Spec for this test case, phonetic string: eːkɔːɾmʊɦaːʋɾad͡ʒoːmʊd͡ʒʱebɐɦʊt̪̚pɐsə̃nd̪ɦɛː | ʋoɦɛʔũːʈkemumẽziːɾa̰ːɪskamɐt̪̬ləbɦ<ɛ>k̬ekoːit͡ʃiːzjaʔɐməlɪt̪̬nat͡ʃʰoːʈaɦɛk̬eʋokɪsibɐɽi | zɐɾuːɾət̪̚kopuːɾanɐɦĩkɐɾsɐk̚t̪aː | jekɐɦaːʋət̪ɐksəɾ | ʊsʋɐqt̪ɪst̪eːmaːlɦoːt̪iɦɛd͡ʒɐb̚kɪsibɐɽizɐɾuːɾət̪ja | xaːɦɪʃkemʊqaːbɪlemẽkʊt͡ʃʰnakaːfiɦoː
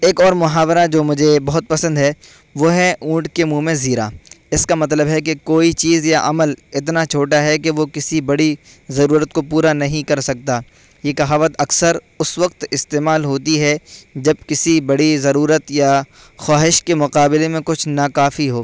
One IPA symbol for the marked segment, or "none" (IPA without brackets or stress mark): ɛ